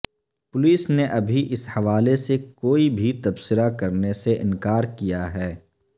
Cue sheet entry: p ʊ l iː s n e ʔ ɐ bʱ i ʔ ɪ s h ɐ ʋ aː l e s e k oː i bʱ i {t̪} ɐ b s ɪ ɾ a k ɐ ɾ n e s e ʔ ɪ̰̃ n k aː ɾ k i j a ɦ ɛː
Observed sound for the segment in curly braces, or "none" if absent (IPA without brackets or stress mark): t̪